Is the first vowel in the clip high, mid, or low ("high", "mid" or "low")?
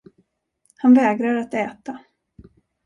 low